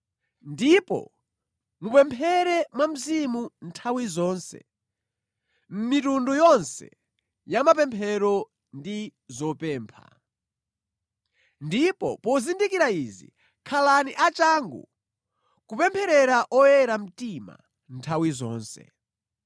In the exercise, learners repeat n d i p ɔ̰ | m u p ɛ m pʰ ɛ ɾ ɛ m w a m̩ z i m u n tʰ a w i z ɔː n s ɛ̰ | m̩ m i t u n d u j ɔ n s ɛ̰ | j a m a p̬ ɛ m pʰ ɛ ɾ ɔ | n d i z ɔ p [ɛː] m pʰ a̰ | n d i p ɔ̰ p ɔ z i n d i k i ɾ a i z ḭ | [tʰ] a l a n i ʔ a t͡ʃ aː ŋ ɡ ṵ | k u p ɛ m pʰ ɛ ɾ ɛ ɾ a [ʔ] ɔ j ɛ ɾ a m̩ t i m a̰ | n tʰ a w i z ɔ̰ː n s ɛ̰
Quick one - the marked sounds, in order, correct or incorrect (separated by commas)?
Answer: correct, incorrect, correct